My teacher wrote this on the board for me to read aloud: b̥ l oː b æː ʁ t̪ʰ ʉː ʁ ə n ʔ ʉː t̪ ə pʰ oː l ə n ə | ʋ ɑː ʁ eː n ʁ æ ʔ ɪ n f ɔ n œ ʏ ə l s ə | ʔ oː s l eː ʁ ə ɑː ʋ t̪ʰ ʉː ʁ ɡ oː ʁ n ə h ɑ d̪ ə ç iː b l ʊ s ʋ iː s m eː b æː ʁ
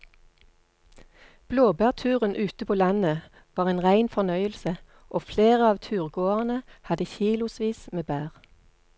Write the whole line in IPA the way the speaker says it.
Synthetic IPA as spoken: b̥ l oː b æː ʁ t̪ʰ ʉː ʁ ə n ʔ ʉː t̪ ə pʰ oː l ɑ n ə | ʋ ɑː ʁ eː n ʁ æ ɪ n f ɔ n œ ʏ ə l s ə | ʔ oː f l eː ʁ ə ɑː ʋ t̪ʰ ʉː ʁ ɡ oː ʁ n ə h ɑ d̪ ə ç iː l ʊ s ʋ iː s m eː b æː ʁ